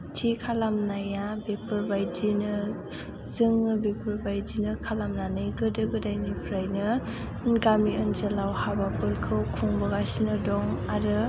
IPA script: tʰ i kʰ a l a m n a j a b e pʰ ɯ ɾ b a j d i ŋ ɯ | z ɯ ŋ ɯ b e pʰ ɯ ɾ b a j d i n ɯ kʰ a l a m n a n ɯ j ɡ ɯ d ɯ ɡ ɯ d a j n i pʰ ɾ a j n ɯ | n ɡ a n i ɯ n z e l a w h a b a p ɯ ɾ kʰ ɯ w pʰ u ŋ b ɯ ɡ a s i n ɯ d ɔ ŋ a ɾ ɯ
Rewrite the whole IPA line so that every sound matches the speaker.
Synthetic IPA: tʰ i kʰ a l a m n a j a b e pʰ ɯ ɾ b a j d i n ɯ | z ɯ ŋ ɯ b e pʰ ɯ ɾ b a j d i n ɯ kʰ a l a m n a n ɯ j ɡ ɯ d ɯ ɡ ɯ d a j n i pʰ ɾ a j n ɯ | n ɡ a m i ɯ n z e l a w h a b a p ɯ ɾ kʰ ɯ w kʰ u ŋ b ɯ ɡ a s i n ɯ d ɔ ŋ a ɾ ɯ